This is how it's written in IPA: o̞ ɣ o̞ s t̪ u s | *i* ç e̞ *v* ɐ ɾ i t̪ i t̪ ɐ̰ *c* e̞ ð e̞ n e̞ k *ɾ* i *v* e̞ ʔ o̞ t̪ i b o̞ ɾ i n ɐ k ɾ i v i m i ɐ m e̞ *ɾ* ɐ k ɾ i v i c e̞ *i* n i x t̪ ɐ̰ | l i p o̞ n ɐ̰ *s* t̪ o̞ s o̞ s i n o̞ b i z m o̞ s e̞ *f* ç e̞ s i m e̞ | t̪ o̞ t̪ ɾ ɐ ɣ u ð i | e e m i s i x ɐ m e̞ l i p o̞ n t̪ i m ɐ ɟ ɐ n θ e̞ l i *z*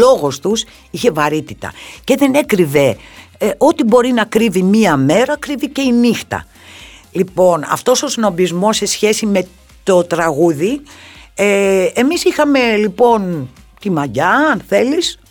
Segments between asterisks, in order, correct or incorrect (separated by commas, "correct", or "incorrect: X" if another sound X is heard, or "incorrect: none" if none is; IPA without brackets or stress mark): correct, correct, correct, correct, correct, correct, correct, incorrect: f, incorrect: s, incorrect: s